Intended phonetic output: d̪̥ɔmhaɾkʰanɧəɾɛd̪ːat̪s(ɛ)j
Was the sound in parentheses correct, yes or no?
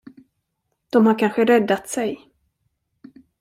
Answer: yes